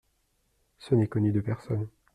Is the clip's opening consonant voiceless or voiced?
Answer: voiceless